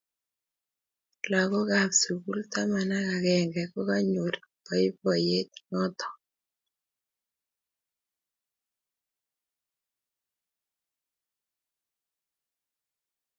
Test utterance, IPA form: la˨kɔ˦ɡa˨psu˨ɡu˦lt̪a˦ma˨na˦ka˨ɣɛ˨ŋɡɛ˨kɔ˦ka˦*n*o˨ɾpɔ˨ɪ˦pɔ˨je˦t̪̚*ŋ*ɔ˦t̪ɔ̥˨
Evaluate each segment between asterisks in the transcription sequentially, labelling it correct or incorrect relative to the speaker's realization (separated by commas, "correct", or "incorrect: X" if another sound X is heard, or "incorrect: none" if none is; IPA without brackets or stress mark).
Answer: incorrect: ɲ, correct